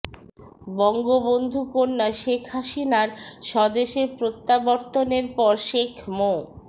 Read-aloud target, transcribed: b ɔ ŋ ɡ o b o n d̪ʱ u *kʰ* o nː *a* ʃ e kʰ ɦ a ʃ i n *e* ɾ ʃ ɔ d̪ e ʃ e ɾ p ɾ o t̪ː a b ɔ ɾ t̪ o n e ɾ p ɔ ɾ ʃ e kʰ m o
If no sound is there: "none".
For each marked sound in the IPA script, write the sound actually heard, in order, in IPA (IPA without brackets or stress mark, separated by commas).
k, a, a